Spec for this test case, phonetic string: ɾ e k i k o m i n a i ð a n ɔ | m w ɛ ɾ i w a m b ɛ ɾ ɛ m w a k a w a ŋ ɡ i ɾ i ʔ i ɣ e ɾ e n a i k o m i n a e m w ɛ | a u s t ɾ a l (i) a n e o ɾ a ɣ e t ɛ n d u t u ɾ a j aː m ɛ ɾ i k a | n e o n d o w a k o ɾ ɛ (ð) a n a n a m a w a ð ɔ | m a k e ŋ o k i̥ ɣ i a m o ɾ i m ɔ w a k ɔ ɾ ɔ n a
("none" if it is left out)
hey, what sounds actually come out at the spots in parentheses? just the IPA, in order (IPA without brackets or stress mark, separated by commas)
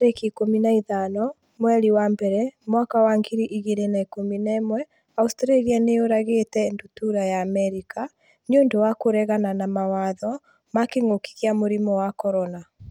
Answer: i, ɣ